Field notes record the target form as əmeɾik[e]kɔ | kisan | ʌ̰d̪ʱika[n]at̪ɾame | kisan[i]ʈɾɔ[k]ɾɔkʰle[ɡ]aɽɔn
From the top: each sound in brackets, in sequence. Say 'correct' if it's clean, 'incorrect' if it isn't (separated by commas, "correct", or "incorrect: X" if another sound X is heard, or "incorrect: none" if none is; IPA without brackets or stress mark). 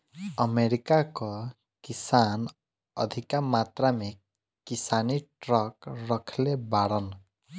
incorrect: a, incorrect: m, correct, correct, incorrect: b